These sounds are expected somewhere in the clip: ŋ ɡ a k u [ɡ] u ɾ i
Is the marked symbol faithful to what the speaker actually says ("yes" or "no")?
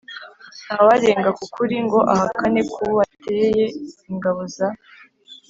no